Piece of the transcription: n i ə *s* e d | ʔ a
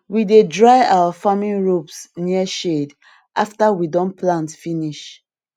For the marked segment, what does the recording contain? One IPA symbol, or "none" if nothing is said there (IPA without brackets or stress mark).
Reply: ʃ